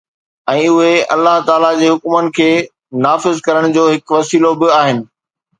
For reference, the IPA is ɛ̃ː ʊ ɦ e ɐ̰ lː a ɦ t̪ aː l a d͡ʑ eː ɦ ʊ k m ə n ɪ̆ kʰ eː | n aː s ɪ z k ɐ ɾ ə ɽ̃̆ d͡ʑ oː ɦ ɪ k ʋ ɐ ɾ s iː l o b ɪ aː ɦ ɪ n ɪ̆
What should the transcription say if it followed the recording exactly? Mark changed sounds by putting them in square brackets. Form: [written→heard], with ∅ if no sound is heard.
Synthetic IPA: ɛ̃ː ʊ ɦ e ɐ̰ lː a ɦ t̪ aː l a d͡ʑ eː ɦ ʊ k m ə n ɪ̆ kʰ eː | n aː [s→f] ɪ z k ɐ ɾ ə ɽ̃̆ d͡ʑ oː ɦ ɪ k ʋ ɐ [ɾ→∅] s iː l o b ɪ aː ɦ ɪ n ɪ̆

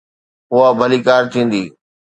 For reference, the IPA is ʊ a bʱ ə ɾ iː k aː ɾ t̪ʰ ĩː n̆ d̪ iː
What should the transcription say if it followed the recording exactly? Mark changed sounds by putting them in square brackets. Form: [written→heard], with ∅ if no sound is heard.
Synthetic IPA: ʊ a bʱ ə [ɾ→l] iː k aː ɾ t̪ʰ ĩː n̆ d̪ iː

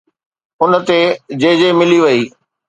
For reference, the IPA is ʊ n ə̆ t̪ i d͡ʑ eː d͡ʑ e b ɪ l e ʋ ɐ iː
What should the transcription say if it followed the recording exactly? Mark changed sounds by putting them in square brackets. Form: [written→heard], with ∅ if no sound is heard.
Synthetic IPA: ʊ n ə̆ t̪ [i→e] d͡ʑ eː d͡ʑ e [b→m] ɪ l [e→i] ʋ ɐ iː

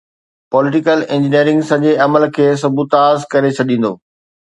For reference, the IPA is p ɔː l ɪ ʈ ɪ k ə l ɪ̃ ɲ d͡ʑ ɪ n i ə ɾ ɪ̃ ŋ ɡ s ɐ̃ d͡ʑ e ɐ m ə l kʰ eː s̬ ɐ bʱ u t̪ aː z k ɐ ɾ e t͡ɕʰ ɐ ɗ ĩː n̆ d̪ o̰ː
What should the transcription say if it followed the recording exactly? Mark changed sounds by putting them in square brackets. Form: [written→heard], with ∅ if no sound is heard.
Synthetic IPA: p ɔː l ɪ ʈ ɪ k ə l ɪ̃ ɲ d͡ʑ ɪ n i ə ɾ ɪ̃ ŋ ɡ s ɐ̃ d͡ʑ e ɐ m ə l kʰ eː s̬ ɐ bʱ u t̪ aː z k ɐ ɾ e t͡ɕʰ ɐ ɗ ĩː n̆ d̪ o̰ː

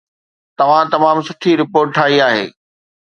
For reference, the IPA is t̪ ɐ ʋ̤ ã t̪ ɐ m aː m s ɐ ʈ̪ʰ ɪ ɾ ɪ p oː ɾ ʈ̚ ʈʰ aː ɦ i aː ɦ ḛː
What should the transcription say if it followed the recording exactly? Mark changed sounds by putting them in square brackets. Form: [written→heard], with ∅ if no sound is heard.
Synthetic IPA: t̪ ɐ ʋ̤ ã t̪ ɐ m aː m s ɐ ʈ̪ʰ [ɪ→i] ɾ ɪ p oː ɾ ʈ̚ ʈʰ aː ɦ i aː ɦ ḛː

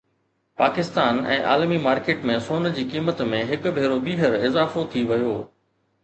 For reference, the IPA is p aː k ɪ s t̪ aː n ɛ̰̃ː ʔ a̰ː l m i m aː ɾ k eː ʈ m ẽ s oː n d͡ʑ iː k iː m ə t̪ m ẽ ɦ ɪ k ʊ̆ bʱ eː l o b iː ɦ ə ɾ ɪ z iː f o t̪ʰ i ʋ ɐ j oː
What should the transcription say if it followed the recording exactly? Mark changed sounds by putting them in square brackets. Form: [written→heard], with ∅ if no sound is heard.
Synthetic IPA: p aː k ɪ s t̪ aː n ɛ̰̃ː ʔ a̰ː l m i m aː ɾ k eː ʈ m ẽ s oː n d͡ʑ iː k iː m ə t̪ m ẽ ɦ ɪ k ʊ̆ bʱ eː [l→ɾ] o b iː ɦ ə ɾ ɪ z [iː→aː] f o t̪ʰ i ʋ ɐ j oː

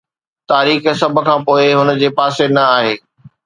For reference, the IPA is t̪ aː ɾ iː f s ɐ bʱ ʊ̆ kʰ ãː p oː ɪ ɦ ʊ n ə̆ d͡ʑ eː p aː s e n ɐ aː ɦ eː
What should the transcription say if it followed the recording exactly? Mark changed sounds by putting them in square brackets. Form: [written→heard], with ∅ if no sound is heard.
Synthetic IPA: t̪ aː ɾ iː [f→x] s ɐ bʱ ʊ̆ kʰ ãː p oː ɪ ɦ ʊ n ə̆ d͡ʑ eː p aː s e n ɐ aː ɦ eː

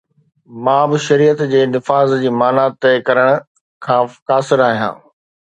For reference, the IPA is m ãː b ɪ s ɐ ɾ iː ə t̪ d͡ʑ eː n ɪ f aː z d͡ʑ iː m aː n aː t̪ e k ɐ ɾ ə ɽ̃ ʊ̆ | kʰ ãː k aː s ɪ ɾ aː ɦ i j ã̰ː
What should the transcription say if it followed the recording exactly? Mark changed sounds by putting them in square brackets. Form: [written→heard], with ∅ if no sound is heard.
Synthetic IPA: m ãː b ɪ [s→ʃ] ɐ ɾ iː ə t̪ d͡ʑ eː n ɪ f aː z d͡ʑ iː m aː n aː t̪ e k ɐ ɾ ə ɽ̃ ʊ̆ | kʰ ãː k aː s ɪ ɾ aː ɦ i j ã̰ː

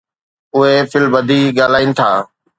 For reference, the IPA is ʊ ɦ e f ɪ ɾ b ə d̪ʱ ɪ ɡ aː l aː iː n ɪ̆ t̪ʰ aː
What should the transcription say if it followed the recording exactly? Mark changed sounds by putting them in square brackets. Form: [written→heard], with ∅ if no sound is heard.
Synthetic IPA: ʊ ɦ e f ɪ [ɾ→l] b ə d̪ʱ [ɪ→i] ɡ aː l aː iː n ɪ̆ t̪ʰ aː

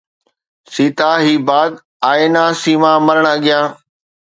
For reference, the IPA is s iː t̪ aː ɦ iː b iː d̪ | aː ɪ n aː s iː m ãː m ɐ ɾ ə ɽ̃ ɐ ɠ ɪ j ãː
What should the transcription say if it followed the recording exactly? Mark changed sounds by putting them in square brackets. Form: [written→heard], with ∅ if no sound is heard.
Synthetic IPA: s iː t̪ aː ɦ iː b [iː→aː] d̪ | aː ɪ n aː s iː m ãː m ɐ ɾ ə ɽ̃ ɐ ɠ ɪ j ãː

